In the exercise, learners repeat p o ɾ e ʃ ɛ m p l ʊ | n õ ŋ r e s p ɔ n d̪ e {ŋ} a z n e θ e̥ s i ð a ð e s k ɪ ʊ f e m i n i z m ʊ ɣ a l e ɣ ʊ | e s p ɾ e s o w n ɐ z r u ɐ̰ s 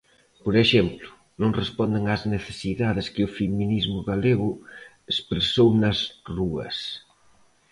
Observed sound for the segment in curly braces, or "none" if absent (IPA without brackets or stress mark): ŋ